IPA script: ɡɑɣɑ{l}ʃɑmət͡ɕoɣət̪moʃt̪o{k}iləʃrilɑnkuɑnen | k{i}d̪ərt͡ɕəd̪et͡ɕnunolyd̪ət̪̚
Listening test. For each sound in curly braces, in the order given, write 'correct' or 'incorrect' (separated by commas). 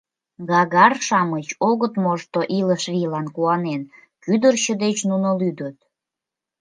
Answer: incorrect, incorrect, incorrect